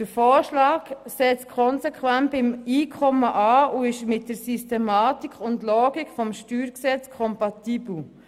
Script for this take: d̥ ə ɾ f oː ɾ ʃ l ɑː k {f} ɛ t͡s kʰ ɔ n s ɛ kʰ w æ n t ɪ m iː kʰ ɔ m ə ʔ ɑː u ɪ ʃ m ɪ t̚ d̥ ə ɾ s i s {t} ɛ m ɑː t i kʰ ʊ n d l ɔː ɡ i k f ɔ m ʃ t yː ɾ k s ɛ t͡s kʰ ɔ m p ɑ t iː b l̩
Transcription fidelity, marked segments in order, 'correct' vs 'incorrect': incorrect, correct

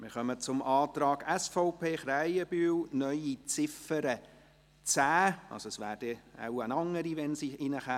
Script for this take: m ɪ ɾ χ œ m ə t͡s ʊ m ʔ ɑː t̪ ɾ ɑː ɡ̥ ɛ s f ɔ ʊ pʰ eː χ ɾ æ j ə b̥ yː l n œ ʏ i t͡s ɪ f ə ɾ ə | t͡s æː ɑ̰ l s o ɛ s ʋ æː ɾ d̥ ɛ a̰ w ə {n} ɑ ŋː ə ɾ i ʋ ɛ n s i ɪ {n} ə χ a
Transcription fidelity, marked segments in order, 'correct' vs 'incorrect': correct, correct

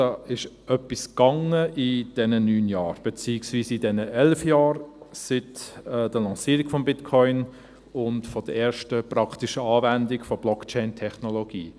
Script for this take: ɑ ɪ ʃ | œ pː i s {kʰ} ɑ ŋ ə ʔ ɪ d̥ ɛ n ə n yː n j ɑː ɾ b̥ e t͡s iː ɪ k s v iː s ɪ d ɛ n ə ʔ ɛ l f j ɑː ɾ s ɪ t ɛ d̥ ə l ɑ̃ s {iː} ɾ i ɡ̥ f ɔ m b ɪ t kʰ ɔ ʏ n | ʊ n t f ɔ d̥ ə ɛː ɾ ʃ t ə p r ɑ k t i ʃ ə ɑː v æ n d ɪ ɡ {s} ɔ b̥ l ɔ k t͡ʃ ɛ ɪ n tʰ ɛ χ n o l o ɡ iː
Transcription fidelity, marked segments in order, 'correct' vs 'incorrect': incorrect, correct, incorrect

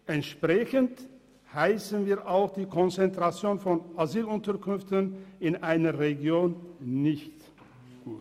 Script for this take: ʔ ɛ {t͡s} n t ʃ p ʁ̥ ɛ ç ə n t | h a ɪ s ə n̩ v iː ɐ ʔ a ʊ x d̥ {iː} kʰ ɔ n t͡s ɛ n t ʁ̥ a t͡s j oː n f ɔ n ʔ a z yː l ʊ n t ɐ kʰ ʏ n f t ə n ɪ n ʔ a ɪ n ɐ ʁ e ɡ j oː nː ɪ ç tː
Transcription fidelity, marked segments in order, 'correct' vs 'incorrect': incorrect, correct

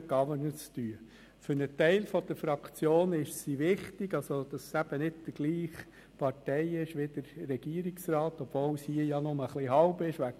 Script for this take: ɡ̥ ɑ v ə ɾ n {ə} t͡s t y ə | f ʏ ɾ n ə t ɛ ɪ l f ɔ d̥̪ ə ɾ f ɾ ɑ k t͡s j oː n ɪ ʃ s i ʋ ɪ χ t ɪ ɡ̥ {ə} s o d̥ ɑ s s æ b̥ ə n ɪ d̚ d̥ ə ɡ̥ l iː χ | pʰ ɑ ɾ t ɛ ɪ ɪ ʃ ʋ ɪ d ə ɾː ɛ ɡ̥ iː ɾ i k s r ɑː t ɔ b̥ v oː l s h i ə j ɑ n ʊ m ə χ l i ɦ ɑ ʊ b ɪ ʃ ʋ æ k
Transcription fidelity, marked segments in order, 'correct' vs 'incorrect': correct, incorrect

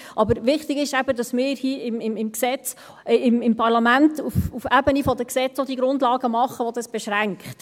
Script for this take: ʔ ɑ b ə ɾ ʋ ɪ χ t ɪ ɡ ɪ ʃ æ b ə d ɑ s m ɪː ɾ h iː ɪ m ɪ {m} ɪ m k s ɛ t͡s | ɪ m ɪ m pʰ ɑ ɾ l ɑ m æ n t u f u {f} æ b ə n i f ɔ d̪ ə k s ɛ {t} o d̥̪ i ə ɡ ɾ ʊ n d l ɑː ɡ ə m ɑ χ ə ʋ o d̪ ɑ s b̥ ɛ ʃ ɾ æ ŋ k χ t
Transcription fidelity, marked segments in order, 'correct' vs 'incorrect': correct, correct, incorrect

